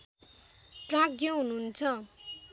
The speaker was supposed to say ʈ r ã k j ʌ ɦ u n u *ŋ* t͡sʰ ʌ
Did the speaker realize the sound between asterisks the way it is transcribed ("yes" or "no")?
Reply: no